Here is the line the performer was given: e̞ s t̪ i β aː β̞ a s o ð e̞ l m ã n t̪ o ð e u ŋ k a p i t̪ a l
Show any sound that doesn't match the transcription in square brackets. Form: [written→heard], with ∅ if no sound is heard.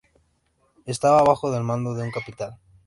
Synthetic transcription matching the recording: e̞ s t̪ [i→a] β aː β̞ a [s→x] o ð e̞ l m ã n [t̪→d̪] o ð e u ŋ k a p i t̪ a l